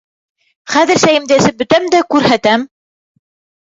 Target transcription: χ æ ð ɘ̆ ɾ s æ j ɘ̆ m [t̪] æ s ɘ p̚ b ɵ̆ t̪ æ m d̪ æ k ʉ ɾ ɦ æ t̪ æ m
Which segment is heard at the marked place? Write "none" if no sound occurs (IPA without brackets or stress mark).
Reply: d̪